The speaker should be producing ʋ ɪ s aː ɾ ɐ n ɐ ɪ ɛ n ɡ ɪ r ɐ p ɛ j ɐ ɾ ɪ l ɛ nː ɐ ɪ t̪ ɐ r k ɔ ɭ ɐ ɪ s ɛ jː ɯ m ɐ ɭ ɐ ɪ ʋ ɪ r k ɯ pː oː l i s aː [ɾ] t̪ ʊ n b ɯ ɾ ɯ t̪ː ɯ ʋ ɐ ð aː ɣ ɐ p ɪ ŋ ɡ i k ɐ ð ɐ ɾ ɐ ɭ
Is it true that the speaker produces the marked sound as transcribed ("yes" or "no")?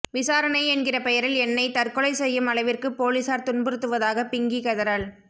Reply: yes